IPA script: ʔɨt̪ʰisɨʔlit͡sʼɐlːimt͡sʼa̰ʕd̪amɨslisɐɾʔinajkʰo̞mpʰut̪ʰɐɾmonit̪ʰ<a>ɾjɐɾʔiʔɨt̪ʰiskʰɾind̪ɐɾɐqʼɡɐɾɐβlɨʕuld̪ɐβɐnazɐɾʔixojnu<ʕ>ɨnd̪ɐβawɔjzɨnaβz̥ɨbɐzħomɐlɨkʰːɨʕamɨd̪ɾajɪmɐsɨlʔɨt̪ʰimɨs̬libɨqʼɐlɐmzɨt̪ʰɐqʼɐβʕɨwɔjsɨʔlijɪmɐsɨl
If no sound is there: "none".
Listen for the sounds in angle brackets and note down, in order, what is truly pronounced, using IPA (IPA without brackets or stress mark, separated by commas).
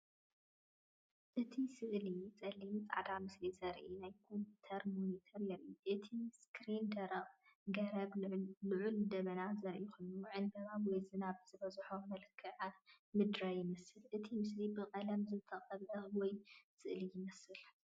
ɐ, ʕ